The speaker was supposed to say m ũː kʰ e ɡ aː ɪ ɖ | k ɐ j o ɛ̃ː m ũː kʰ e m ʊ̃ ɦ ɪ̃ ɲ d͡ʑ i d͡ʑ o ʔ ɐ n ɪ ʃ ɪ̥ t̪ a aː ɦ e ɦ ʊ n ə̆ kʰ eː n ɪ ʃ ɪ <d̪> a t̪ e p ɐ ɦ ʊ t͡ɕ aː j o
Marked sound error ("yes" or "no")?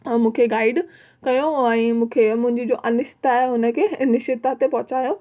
yes